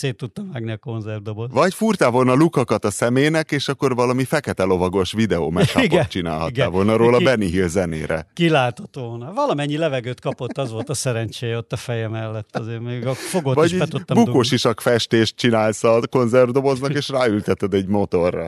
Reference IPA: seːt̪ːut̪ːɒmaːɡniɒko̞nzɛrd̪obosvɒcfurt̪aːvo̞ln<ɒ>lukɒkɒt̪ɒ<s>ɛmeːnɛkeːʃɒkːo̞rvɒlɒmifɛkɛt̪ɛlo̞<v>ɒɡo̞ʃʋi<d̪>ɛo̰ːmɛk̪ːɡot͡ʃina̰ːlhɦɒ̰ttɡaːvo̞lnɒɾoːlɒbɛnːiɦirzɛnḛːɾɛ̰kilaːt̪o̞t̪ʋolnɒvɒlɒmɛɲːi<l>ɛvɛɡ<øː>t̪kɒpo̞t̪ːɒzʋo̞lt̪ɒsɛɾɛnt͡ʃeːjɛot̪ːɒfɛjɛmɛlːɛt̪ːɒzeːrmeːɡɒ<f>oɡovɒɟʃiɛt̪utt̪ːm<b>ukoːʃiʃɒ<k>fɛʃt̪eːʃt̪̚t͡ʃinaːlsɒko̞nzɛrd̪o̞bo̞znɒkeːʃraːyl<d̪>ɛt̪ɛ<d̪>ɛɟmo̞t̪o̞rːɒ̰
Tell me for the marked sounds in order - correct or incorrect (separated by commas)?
correct, correct, correct, correct, correct, correct, correct, correct, correct, incorrect, correct